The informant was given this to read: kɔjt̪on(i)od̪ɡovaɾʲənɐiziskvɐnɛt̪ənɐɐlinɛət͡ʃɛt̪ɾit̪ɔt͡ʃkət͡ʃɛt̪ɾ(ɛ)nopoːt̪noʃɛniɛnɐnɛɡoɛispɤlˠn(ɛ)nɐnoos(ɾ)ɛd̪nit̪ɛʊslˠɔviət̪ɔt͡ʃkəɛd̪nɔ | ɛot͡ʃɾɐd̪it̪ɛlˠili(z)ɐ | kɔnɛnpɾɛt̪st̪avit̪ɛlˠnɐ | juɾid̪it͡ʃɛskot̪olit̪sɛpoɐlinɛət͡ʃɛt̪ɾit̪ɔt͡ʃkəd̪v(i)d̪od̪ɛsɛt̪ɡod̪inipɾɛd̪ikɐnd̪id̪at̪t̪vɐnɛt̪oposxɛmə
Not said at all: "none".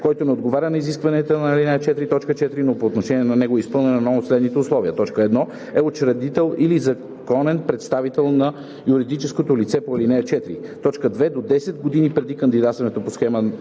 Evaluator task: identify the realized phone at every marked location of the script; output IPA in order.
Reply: ɛ, i, ɛ, l, z, ɛ

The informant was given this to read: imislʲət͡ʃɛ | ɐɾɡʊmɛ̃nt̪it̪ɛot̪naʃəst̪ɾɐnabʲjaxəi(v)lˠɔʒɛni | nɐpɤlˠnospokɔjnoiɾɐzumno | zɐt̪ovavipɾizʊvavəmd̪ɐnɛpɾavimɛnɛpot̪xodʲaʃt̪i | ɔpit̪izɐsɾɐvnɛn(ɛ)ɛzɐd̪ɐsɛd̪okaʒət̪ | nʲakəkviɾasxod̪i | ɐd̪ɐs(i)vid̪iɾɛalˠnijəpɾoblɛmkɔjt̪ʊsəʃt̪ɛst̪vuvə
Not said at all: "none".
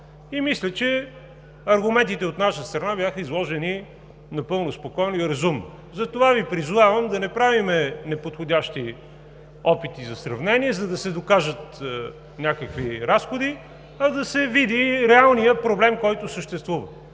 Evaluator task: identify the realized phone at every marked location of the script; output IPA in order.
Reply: z, i, ɛ

